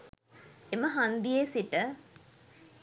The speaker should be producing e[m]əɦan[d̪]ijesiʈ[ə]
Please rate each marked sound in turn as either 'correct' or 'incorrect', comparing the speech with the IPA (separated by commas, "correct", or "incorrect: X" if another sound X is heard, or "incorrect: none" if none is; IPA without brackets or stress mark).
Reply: correct, correct, correct